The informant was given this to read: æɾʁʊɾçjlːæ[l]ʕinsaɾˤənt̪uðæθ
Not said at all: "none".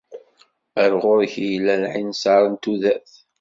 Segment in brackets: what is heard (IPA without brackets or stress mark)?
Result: l